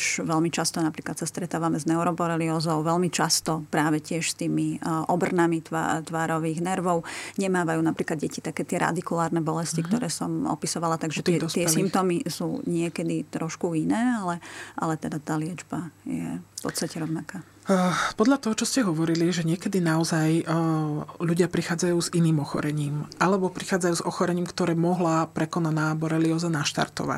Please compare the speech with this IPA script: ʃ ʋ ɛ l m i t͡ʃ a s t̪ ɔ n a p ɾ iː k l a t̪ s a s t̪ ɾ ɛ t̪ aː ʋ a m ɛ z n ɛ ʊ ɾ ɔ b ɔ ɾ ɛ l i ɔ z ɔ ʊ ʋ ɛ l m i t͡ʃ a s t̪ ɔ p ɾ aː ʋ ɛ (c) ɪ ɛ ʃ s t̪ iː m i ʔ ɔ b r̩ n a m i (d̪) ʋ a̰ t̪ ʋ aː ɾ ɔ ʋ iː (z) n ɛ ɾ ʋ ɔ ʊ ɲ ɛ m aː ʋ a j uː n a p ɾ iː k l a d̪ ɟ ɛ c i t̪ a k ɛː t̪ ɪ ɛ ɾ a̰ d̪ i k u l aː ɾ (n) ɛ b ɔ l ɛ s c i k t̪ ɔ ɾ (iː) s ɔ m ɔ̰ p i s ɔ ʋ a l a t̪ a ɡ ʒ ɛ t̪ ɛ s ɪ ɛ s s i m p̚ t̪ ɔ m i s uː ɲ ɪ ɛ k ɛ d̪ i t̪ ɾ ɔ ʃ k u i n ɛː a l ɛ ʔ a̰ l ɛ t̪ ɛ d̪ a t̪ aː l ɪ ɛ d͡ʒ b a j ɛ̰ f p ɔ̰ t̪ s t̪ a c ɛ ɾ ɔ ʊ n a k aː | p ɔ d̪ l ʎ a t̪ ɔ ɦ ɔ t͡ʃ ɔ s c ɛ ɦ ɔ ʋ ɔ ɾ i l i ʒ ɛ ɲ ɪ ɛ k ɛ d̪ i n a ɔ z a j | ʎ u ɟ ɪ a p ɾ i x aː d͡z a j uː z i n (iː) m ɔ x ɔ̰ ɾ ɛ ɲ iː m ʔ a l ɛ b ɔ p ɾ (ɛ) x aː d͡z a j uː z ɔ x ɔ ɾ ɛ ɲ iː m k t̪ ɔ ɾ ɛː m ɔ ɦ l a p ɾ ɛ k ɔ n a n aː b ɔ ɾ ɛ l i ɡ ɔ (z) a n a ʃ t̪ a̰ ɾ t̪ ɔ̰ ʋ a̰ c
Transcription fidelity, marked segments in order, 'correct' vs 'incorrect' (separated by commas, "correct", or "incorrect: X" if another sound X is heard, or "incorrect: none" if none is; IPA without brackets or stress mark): correct, incorrect: t̪, incorrect: ɣ, correct, incorrect: ɛː, correct, incorrect: i, correct